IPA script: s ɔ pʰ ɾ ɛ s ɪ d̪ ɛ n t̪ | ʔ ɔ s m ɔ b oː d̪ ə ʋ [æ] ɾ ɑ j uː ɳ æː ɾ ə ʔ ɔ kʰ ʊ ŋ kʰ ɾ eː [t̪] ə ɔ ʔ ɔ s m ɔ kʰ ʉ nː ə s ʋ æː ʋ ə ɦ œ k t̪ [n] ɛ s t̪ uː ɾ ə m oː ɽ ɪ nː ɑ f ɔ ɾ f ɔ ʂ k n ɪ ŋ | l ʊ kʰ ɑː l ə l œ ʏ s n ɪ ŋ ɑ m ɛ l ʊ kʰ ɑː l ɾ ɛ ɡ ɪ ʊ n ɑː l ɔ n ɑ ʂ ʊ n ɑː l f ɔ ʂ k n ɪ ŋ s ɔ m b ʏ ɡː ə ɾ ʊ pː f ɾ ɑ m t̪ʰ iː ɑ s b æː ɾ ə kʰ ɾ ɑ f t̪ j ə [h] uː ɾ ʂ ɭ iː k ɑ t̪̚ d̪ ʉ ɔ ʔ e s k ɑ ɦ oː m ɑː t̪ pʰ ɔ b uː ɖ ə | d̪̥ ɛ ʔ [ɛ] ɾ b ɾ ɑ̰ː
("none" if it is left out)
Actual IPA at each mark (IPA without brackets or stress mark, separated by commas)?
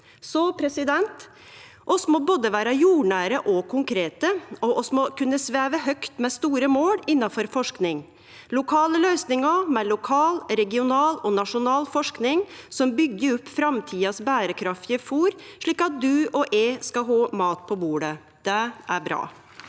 æː, t̪, m, f, æ